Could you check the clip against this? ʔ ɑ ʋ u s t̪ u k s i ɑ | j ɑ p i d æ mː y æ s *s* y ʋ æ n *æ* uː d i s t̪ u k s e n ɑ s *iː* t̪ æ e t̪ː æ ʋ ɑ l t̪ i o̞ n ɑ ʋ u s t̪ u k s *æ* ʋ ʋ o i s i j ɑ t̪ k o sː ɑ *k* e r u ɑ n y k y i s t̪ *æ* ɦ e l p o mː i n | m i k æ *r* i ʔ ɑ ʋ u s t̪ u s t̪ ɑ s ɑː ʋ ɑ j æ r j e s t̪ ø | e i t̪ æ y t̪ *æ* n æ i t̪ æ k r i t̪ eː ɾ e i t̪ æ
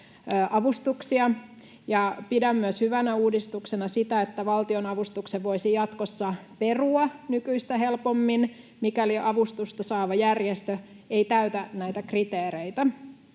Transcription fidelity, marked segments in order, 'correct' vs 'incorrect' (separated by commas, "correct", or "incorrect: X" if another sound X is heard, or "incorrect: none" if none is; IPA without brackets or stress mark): incorrect: h, correct, incorrect: i, incorrect: e, incorrect: p, correct, incorrect: l, correct